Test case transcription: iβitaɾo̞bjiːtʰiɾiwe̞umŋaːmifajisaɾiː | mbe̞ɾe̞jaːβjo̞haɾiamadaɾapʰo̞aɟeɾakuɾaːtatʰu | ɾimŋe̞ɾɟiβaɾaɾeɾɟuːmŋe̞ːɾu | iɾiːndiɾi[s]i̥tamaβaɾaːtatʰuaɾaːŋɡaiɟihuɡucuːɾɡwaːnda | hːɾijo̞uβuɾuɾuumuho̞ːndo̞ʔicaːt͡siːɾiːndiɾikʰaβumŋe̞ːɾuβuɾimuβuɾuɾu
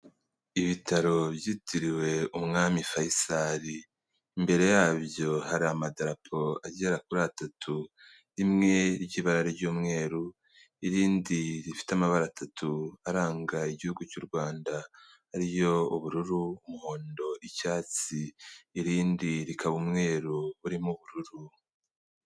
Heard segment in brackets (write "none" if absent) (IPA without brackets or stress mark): f